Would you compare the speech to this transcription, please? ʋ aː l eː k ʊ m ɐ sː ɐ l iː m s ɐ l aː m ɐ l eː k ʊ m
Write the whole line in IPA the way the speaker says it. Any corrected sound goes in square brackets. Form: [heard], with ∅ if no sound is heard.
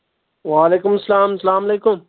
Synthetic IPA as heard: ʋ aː l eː k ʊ m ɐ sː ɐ l [aː] m s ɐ l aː m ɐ l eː k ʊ m